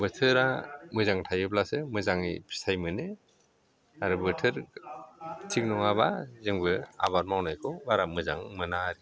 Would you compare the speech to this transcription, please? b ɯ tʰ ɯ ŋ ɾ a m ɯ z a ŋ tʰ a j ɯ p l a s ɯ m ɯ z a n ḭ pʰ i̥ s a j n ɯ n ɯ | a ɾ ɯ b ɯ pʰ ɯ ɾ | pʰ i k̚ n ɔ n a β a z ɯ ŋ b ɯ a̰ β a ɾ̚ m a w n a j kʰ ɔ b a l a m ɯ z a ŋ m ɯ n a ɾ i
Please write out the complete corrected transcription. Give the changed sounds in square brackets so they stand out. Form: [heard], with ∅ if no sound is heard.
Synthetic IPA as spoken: b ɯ tʰ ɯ [∅] ɾ a m ɯ z a ŋ tʰ a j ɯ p l a s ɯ m ɯ z a [ŋ] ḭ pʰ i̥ s a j [m] ɯ n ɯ | a ɾ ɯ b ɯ [tʰ] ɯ ɾ | [tʰ] i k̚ n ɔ [ŋ] a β a z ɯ ŋ b ɯ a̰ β a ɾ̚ m a w n a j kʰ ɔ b a [ɾ] a m ɯ z a ŋ m ɯ n a ɾ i